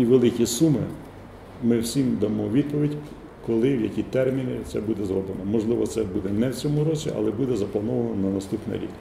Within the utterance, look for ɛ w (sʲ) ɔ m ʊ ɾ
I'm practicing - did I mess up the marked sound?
yes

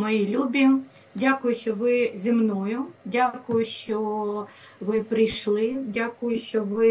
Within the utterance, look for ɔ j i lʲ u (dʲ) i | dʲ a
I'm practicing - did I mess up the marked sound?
yes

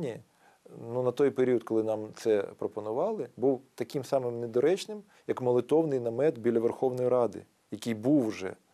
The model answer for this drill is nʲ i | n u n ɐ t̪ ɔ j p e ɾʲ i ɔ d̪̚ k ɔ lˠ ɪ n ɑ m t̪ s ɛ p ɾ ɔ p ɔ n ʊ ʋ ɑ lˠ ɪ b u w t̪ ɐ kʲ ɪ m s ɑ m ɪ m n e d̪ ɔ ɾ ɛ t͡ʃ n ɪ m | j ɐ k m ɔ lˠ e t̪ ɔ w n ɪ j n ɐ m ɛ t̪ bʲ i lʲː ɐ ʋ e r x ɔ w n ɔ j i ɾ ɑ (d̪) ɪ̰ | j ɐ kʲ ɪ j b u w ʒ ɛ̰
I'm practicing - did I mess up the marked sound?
no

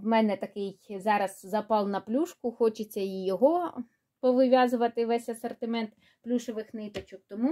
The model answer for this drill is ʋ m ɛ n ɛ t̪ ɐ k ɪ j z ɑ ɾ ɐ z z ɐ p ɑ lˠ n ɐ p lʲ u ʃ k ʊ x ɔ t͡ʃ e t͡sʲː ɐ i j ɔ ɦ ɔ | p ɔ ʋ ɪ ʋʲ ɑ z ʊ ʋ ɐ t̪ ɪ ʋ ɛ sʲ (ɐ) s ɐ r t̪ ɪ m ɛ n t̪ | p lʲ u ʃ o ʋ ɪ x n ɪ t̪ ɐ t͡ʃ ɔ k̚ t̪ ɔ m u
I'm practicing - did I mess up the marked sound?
no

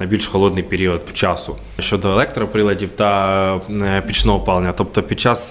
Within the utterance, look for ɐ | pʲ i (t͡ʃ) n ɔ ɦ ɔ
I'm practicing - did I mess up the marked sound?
no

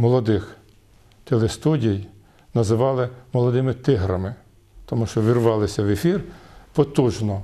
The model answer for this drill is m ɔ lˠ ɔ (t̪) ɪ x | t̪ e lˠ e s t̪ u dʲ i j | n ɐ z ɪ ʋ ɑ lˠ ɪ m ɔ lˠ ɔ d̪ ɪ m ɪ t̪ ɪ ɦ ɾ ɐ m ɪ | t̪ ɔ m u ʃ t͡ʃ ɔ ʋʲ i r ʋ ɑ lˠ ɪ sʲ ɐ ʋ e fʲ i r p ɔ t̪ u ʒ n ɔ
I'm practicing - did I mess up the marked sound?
yes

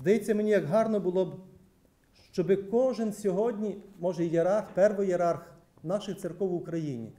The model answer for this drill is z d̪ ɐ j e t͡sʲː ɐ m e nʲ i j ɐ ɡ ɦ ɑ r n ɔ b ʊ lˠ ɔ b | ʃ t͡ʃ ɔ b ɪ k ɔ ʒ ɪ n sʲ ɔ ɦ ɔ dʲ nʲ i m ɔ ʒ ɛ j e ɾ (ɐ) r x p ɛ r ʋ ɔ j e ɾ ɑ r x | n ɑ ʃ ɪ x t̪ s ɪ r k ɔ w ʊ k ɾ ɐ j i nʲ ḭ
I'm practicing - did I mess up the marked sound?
yes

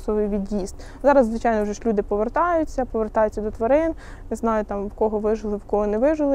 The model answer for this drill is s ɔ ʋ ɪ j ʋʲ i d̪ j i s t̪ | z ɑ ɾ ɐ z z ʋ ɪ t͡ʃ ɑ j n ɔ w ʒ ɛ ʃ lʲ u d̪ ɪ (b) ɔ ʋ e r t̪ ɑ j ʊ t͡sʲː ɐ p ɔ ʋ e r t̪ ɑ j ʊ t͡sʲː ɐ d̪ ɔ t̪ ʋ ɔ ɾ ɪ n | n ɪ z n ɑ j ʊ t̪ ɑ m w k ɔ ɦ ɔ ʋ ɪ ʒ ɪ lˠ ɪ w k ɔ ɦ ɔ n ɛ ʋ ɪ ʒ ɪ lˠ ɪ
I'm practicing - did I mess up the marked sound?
yes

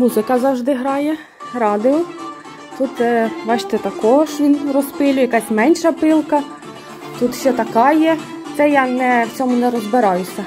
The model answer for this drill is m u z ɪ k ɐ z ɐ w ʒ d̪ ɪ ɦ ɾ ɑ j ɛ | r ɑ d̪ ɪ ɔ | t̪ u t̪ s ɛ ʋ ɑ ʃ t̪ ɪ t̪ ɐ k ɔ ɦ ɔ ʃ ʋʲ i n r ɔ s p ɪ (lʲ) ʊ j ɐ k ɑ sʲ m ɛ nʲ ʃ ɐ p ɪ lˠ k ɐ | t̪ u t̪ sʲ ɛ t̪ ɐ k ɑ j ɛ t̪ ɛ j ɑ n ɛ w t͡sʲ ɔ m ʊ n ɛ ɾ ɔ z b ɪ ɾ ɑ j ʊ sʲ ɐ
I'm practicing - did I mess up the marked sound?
no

